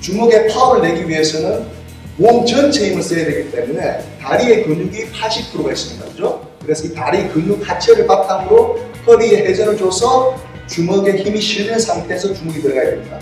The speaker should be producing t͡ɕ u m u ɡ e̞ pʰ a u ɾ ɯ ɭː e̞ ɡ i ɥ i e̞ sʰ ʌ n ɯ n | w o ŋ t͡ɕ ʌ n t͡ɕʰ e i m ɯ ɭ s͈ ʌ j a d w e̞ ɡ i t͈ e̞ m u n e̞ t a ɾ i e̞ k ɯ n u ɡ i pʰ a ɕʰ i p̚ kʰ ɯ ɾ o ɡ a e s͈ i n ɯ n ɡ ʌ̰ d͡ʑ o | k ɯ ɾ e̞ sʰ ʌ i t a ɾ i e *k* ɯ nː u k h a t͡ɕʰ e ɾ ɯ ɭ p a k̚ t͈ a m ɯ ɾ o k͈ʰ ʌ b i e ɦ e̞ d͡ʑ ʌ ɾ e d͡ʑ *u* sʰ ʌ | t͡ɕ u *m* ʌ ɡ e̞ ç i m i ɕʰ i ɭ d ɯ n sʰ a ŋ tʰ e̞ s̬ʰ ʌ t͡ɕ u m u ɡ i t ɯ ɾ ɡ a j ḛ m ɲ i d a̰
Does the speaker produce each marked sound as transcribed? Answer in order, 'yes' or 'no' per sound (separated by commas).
yes, no, yes